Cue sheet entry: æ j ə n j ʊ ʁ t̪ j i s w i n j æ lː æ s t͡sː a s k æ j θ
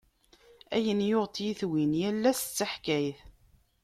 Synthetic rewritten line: æ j ə n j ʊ ʁ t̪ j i θ w i n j æ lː æ s t͡sː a ħ k æ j θ